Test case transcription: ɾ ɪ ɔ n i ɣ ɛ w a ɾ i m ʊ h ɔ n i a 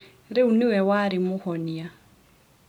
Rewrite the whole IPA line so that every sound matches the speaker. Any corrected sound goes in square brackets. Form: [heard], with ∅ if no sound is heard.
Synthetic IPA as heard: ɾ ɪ [u] n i [w] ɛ w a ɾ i m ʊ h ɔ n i a